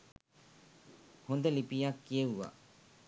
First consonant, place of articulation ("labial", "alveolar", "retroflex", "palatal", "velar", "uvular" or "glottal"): glottal